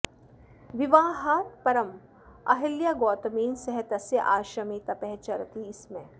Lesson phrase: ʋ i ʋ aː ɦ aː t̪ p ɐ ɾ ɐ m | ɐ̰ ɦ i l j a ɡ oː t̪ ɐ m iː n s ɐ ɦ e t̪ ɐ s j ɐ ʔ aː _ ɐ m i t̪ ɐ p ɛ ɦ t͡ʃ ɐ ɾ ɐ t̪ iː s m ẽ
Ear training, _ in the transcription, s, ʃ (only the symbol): ʃ